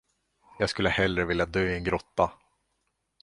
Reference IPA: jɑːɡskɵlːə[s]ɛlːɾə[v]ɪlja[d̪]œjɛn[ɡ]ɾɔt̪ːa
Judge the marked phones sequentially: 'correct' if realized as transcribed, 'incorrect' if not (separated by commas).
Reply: incorrect, correct, correct, correct